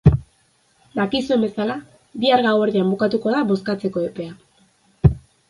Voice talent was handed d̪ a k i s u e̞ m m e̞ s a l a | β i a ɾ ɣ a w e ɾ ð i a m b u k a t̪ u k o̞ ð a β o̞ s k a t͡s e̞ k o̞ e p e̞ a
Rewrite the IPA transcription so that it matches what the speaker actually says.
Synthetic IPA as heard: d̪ a k i s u e̞ m b e̞ s a l a | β i a ɾ ɣ a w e ɾ ð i a m b u k a t̪ u k o̞ ð a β o̞ s k a t͡s e̞ k o̞ e p e̞ a